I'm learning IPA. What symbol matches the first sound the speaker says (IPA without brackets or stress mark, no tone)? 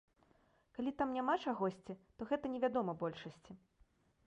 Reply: k